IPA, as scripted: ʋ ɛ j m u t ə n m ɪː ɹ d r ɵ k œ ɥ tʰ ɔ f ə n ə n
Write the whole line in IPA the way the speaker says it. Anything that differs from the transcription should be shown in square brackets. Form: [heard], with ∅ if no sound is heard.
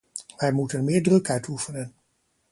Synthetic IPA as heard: ʋ ɛ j m u t ə n m ɪː ɹ d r ɵ k œ ɥ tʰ [u] f ə n ə n

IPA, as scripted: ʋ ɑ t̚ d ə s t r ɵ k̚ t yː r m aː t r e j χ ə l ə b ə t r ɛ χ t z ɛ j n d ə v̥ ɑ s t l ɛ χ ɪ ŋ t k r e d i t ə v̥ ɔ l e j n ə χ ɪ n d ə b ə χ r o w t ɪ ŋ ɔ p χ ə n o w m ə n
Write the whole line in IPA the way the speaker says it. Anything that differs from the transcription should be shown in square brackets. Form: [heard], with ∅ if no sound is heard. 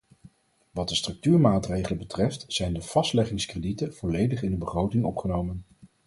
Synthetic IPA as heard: ʋ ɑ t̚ d ə s t r ɵ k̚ t yː [ɹ] m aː t r e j χ ə l ə b ə t r ɛ [f] t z ɛ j n d ə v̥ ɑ s t l ɛ χ ɪ ŋ [s] k r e d i t ə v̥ ɔ l e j [d] ə χ ɪ n d ə b ə χ r o w t ɪ ŋ ɔ p χ ə n o w m ə n

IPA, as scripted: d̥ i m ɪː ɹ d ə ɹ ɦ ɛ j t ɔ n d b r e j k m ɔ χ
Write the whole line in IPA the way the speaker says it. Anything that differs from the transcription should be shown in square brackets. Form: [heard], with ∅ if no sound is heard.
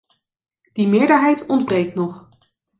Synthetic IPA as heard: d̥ i m ɪː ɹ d ə ɹ ɦ ɛ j t ɔ n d b r e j k [n] ɔ χ

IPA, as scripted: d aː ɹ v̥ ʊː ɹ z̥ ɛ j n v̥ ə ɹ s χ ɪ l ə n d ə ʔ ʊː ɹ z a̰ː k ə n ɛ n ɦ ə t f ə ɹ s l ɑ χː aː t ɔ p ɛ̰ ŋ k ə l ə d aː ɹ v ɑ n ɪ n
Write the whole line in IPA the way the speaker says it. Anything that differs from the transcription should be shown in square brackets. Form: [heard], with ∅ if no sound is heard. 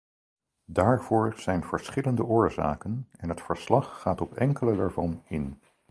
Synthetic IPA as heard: d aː ɹ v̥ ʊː ɹ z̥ ɛ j n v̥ ə ɹ s χ ɪ l ə n d ə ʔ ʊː ɹ z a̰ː k ə n ɛ n ɦ ə t f ə ɹ s l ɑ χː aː t ɔ p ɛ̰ ŋ k ə l ə d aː ɹ v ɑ n ɪ n

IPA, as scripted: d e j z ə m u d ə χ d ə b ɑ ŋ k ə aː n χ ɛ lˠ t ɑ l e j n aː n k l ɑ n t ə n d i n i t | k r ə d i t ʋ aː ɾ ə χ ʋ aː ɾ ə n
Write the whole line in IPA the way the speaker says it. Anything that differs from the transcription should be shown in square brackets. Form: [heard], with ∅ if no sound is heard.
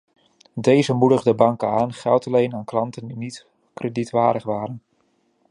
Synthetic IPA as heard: d e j z ə m u d ə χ d ə b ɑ ŋ k ə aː n χ ɛ lˠ t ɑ l e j n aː n k l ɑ n t ə n d i n i t | k r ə d i t ʋ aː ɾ ə χ ʋ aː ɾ ə n

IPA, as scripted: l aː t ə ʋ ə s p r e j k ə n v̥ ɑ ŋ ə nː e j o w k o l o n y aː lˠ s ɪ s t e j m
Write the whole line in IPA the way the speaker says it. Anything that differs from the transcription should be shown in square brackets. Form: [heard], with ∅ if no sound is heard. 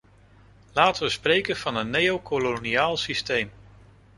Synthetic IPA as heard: l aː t ə ʋ ə s p r e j k ə n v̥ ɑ [n] ə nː e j o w k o l o n [i] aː lˠ s [i] s t e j m

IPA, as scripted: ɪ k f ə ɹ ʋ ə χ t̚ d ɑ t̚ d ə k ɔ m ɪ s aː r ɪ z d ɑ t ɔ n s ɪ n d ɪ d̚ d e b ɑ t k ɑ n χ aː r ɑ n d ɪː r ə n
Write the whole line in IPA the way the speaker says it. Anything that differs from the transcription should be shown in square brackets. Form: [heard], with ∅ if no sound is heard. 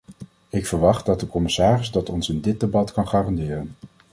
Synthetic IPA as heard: ɪ k f ə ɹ ʋ [ɑ] χ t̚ d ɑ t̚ d ə k ɔ m ɪ s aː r ɪ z d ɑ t ɔ n s ɪ n d ɪ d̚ d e b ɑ t k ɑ n χ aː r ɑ n d ɪː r ə n

